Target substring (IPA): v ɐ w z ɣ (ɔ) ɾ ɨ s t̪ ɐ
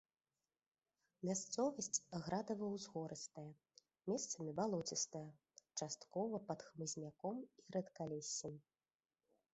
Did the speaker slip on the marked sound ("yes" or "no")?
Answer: no